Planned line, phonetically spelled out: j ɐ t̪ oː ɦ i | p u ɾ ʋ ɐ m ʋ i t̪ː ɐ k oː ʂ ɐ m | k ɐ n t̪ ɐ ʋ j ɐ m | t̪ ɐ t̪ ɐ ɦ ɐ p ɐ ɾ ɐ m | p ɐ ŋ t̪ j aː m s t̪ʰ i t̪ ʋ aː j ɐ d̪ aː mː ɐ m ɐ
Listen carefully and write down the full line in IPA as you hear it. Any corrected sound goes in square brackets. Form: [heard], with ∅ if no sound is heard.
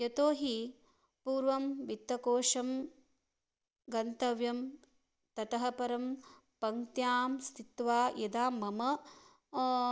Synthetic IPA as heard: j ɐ t̪ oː ɦ i | p [uː] ɾ ʋ ɐ m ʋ i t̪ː ɐ k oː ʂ ɐ m | [ɡ] ɐ n t̪ ɐ ʋ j ɐ m | t̪ ɐ t̪ ɐ ɦ ɐ p ɐ ɾ ɐ m | p ɐ ŋ t̪ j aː m s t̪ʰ i t̪ ʋ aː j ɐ d̪ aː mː ɐ m ɐ